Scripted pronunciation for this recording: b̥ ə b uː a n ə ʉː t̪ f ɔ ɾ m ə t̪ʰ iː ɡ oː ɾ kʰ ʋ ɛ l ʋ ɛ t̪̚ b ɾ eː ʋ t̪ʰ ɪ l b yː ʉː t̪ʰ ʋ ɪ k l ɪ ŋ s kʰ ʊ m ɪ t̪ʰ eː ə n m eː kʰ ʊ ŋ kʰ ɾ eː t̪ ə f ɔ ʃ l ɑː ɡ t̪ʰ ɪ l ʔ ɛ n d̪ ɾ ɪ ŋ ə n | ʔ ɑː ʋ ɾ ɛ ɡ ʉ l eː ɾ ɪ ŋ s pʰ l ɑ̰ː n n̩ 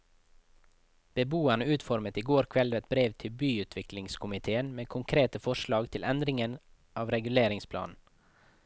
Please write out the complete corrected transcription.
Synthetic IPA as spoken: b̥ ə b uː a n ə ʉː t̪ f ɔ ɾ m ə t̪ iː ɡ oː ɾ kʰ ʋ ɛ l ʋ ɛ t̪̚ b ɾ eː ʋ t̪ʰ ɪ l b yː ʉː t̪ʰ ʋ ɪ k l ɪ ŋ s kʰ ʊ m ɪ t̪ʰ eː ə n m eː kʰ ʊ ŋ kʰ ɾ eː t̪ ə f ɔ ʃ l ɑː ɡ t̪ʰ ɪ l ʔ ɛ n d̪ ɾ ɪ ŋ ə n | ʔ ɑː ʋ ɾ ɛ ɡ ʉ l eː ɾ ɪ ŋ s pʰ l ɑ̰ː n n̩